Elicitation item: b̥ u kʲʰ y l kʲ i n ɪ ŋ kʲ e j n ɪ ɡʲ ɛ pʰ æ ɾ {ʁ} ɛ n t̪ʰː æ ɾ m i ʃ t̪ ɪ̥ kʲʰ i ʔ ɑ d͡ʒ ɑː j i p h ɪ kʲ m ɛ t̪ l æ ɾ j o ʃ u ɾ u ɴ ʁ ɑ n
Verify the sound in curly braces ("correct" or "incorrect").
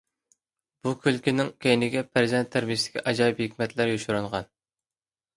incorrect